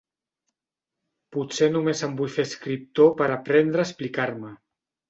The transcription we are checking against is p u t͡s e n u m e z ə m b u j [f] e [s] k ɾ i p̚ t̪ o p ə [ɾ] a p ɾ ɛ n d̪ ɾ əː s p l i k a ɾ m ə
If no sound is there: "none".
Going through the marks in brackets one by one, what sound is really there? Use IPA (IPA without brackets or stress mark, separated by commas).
f, s, ɾ